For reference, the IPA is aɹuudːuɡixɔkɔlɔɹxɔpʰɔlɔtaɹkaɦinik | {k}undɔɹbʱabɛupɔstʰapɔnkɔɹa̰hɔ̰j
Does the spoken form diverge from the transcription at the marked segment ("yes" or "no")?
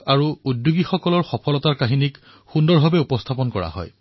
yes